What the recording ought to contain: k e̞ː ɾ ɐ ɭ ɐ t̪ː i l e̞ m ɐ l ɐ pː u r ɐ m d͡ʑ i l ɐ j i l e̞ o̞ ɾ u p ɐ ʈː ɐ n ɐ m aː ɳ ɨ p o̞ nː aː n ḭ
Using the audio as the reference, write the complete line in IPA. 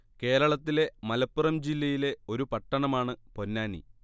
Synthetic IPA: k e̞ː ɾ ɐ ɭ ɐ t̪ː i l e̞ m ɐ l ɐ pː u r ɐ m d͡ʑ i lː ɐ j i l e̞ o̞ ɾ u p ɐ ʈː ɐ ɳ ɐ m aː ɳ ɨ p o̞ nː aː n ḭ